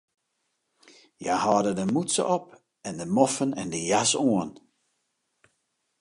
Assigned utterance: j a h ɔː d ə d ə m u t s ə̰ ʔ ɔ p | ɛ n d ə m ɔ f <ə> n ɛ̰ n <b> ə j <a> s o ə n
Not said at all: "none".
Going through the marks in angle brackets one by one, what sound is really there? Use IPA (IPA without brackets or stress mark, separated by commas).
ə, d, a